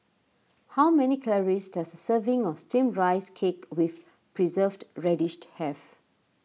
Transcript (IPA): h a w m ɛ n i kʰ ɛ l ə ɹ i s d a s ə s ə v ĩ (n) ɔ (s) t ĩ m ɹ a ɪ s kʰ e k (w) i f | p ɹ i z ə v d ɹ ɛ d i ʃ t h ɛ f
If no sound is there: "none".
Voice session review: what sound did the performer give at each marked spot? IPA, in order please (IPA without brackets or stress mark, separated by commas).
ŋ, s, w